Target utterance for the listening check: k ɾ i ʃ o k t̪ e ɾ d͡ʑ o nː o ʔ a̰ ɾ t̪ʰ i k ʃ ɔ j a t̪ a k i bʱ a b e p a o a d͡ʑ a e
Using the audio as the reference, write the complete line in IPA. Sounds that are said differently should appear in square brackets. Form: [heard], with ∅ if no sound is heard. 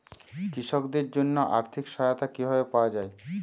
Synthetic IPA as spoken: k ɾ i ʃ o k [d̪] e ɾ d͡ʑ o nː o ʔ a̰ ɾ t̪ʰ i k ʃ ɔ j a t̪ a k i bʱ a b e p a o a d͡ʑ a e